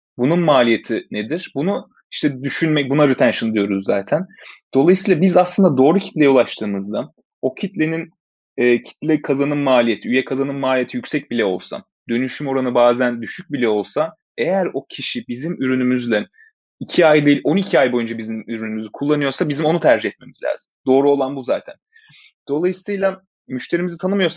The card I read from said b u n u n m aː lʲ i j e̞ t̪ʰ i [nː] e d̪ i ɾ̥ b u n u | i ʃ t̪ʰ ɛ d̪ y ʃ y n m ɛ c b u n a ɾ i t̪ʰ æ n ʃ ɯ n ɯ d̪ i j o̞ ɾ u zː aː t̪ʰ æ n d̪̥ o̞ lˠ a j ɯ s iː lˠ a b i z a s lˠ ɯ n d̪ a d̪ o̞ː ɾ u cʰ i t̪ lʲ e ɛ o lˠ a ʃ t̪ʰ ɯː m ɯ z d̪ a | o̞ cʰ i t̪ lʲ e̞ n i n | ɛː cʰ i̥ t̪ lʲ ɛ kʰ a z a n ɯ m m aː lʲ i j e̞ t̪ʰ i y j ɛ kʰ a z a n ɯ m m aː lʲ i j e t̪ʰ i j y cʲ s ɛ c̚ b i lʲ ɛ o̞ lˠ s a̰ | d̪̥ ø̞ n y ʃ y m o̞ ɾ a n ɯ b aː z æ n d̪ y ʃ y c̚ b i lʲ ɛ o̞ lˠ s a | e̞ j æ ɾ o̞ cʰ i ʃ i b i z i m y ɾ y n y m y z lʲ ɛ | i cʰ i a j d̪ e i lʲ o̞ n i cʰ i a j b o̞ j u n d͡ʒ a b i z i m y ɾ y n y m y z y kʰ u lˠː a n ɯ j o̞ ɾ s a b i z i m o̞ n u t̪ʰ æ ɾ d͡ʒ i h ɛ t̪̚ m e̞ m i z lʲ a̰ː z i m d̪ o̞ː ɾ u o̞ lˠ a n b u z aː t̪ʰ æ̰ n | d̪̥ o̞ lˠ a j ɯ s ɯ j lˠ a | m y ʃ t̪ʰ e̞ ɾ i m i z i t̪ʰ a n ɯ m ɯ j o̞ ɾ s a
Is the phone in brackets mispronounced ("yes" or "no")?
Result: yes